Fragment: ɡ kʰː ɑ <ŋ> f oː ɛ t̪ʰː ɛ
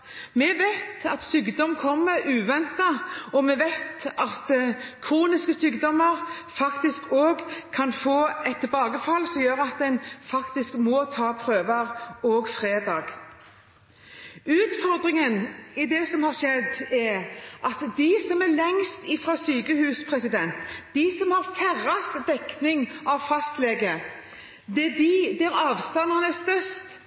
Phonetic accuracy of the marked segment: incorrect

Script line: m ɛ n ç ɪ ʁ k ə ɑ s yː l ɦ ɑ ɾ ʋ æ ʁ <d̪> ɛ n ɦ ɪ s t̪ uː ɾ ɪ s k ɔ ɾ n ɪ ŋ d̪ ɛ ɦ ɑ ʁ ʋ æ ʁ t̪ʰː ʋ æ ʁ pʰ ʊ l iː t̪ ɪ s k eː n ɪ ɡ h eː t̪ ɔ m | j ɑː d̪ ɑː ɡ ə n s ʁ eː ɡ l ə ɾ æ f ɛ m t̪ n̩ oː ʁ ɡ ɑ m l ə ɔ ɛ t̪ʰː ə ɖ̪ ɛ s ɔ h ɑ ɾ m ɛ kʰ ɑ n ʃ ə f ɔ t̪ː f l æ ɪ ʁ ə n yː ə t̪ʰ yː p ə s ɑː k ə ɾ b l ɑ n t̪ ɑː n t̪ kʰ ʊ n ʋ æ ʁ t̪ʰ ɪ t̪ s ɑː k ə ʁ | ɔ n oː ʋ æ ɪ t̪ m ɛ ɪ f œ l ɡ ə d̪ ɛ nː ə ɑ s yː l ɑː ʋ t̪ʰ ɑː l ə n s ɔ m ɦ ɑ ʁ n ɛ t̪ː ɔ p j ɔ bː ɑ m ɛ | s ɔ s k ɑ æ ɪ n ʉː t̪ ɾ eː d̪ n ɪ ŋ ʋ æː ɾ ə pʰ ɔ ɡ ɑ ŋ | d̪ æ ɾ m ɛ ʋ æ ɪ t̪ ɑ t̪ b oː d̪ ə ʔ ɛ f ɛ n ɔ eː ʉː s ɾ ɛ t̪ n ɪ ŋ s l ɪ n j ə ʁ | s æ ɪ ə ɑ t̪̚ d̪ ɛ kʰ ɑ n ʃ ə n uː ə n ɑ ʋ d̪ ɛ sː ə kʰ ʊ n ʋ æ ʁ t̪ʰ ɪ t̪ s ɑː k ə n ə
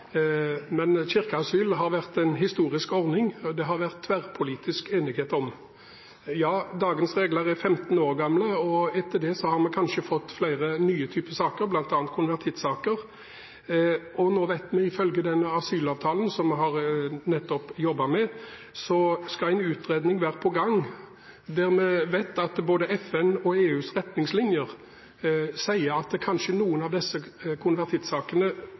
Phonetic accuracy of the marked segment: incorrect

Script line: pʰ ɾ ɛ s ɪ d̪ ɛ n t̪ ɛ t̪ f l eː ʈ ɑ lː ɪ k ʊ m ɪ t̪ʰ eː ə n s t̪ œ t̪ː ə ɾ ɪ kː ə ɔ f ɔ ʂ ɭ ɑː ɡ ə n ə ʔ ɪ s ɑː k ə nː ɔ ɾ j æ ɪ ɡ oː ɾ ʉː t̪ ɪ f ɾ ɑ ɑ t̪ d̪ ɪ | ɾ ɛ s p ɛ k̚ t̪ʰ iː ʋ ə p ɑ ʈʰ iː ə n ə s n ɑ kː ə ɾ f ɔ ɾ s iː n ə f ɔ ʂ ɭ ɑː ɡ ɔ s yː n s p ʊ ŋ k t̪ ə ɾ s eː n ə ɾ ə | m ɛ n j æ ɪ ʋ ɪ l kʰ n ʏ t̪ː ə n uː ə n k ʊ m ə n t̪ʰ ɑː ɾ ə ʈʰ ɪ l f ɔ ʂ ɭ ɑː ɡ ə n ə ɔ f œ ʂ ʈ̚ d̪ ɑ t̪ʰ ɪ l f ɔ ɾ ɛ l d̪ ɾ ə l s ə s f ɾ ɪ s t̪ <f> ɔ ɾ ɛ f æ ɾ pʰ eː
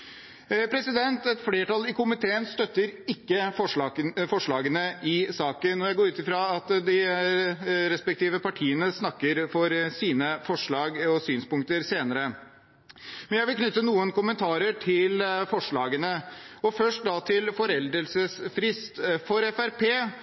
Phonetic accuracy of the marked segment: correct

